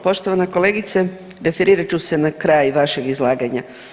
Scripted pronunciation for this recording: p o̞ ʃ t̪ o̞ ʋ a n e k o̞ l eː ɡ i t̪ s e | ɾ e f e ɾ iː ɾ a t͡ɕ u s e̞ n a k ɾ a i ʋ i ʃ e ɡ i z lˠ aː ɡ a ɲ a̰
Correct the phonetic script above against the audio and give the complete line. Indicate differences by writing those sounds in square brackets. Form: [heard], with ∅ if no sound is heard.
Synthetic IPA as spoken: p o̞ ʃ t̪ o̞ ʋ a n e k o̞ l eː ɡ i t̪ s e | ɾ e f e ɾ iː ɾ a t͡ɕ u s e̞ n a k ɾ a [j] ʋ [a] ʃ e ɡ i z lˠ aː ɡ a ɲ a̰